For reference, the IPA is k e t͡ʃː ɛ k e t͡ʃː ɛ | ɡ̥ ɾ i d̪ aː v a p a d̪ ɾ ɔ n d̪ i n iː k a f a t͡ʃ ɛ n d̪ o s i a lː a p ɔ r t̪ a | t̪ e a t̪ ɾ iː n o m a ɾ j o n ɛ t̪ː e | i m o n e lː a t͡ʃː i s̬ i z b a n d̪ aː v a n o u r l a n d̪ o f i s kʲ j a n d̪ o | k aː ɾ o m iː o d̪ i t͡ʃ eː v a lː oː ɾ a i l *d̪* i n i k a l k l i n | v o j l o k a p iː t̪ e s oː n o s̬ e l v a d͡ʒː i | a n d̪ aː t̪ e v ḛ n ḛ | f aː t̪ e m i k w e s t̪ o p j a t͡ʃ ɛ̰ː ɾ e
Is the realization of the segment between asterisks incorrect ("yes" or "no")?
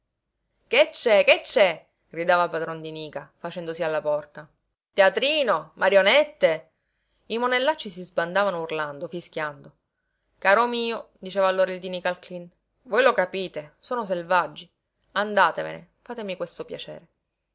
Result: no